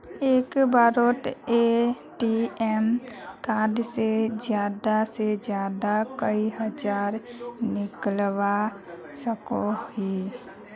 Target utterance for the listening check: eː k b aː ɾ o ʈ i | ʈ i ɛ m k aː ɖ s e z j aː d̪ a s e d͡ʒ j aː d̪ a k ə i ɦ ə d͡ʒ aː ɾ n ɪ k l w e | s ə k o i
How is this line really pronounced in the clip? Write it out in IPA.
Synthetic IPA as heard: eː k b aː ɾ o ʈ e | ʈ i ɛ m k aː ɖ s e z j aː d̪ a s e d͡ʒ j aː d̪ a k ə i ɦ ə d͡ʒ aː ɾ n ɪ k l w a | s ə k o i